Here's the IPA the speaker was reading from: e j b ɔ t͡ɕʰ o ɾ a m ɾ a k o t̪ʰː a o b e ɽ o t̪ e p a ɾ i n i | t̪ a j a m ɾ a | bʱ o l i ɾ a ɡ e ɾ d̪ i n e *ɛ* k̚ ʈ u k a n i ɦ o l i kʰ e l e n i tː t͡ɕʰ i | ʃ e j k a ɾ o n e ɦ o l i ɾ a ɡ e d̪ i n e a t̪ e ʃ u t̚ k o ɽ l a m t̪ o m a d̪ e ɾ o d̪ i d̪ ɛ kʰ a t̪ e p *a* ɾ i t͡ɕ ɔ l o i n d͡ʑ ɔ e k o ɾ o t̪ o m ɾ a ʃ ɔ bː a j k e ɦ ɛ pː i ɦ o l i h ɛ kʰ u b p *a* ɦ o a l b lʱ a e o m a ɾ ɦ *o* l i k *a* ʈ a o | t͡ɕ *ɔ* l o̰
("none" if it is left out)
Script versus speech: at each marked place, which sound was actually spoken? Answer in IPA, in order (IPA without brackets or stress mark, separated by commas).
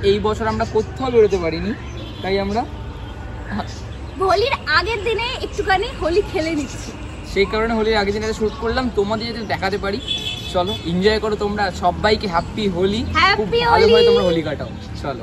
e, a, i, o, a, ɔ